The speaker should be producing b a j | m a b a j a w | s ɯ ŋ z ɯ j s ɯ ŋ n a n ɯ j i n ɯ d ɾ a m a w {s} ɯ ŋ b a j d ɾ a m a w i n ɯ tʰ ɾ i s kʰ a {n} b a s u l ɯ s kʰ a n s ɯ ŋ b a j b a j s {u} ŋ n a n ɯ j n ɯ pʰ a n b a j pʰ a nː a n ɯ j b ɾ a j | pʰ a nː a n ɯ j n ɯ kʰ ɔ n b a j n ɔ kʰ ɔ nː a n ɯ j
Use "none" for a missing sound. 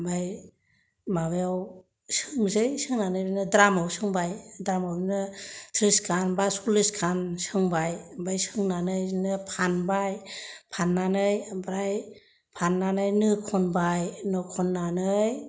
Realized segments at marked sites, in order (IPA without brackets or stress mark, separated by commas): s, n, ɯ